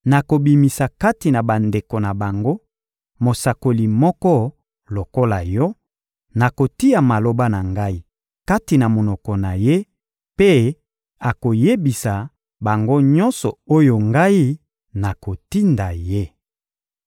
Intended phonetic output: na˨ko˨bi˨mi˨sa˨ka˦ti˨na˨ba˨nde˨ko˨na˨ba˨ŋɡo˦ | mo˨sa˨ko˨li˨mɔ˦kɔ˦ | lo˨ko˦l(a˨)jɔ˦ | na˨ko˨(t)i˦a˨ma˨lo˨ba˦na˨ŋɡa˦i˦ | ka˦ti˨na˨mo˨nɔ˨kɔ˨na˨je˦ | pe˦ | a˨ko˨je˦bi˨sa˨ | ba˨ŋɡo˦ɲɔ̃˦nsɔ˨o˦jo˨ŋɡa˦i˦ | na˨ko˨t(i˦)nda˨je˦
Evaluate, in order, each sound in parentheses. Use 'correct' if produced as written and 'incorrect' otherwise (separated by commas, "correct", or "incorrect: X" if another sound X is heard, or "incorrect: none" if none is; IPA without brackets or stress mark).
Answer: correct, correct, correct